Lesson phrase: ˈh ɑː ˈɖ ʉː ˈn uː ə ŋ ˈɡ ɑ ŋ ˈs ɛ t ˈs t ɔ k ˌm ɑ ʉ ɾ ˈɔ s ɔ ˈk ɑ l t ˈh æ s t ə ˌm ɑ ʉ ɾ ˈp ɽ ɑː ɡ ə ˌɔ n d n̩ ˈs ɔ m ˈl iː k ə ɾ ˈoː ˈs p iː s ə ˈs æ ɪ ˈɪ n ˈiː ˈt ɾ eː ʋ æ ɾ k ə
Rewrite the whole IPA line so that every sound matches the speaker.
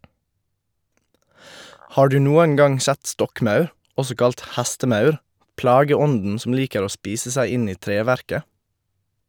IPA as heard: ˈh ɑː ˈɖ ʉː ˈn uː ə ŋ ˈɡ ɑ ŋ ˈs ɛ t ˈs t ɔ k ˌm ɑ ʉ ɾ ˈɔ s ɔ ˈk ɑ l t ˈh æ s t ə ˌm ɑ ʉ ɾ ˈp l ɑː ɡ ə ˌɔ n d n̩ ˈs ɔ m ˈl iː k ə ɾ ˈoː ˈs p iː s ə ˈs æ ɪ ˈɪ n ˈiː ˈt ɾ eː ʋ æ ɾ k ə